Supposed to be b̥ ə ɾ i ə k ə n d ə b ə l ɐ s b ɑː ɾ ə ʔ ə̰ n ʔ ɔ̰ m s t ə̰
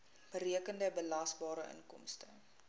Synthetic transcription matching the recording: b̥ ə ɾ i ə k ə n d ə b ə l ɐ s b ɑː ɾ ə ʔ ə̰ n k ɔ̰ m s t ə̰